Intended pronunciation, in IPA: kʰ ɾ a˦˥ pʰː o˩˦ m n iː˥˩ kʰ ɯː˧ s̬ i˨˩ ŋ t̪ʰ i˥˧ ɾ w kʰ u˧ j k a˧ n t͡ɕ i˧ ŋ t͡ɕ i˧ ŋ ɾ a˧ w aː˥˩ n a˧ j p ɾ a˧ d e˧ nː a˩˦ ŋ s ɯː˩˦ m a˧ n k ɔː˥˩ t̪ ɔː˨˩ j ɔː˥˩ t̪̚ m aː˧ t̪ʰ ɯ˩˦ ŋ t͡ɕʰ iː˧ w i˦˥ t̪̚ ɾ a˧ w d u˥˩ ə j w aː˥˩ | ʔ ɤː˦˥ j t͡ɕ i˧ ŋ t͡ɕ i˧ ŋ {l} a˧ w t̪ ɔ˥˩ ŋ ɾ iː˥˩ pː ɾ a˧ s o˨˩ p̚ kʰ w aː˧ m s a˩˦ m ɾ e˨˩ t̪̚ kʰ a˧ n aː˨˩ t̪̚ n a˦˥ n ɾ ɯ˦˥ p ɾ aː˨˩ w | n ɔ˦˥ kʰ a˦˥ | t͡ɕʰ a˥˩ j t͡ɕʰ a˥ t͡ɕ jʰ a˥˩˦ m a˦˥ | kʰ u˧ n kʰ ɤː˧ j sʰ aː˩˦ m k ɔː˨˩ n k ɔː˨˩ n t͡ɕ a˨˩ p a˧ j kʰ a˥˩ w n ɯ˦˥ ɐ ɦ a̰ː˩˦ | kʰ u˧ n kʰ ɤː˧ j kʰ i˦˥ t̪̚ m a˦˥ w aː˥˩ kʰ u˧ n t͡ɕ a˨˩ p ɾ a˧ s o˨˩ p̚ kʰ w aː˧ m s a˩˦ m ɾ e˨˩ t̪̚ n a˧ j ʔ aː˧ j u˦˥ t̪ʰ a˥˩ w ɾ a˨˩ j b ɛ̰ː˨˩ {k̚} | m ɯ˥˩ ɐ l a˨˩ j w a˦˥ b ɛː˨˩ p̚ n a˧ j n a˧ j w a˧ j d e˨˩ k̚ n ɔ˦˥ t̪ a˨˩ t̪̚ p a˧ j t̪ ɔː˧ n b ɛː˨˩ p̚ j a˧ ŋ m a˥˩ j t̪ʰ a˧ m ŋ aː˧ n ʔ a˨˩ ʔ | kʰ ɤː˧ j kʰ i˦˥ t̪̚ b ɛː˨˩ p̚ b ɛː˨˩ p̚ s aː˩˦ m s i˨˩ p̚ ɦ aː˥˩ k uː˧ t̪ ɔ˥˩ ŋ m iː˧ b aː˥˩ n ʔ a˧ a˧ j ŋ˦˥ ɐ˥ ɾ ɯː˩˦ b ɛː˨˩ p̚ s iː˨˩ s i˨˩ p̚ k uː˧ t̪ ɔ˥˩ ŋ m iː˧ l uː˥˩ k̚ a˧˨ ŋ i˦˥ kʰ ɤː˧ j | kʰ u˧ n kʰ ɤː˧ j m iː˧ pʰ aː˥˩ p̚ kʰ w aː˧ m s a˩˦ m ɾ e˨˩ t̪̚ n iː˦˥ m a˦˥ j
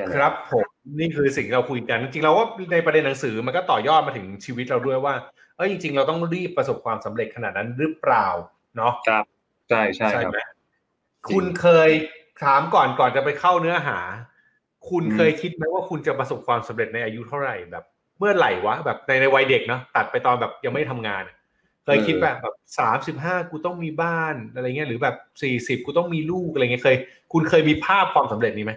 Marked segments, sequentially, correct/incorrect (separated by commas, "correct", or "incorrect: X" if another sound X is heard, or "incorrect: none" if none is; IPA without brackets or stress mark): incorrect: ɾ, incorrect: p̚